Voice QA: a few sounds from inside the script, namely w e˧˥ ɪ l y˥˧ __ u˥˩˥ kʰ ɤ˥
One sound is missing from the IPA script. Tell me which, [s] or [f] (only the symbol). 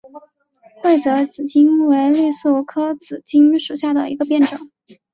s